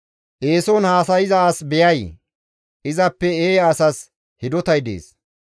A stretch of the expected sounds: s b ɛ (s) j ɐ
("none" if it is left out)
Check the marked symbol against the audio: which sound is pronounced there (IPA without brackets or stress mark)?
none